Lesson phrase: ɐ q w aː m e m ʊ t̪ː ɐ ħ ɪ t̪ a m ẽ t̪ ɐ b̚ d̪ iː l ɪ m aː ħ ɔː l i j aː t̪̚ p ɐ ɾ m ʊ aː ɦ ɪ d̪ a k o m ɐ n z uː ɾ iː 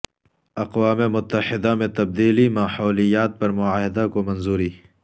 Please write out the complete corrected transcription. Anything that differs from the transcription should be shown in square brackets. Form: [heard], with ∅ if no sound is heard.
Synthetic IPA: ɐ q w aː m e m ʊ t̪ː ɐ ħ ɪ [d̪] a m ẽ t̪ ɐ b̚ d̪ iː l [i] m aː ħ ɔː l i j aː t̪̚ p ɐ ɾ m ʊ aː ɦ ɪ d̪ a k o m ɐ n z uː ɾ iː